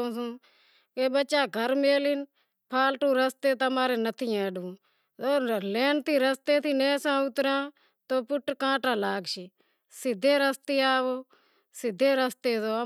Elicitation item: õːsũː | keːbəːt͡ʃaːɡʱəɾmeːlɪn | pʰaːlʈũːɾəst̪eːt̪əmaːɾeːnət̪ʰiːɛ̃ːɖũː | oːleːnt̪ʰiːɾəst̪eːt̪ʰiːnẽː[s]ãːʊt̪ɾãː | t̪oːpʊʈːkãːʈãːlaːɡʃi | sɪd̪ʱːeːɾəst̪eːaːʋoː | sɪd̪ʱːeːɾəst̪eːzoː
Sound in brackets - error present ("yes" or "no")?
no